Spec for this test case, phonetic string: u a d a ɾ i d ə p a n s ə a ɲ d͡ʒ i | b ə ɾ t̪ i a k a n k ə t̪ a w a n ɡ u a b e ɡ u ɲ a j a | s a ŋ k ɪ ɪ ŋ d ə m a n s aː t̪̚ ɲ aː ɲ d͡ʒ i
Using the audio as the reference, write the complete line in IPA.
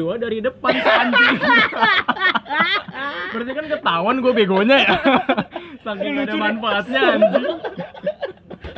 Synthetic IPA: u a d a ɾ i d ə p a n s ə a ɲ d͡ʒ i | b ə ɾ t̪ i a k a n k ə t̪ a w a n ɡ u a b e ɡ o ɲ a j a | s a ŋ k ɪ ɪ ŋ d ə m a n f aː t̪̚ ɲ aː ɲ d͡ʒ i